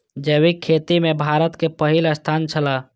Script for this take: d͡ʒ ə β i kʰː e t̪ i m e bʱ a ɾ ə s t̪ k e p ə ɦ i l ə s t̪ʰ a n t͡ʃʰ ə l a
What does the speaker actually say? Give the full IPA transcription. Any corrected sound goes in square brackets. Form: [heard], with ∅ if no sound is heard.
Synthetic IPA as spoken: d͡ʒ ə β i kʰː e t̪ i m e bʱ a ɾ ə [∅] t̪ k e p ə ɦ i l ə s t̪ʰ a n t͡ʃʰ ə l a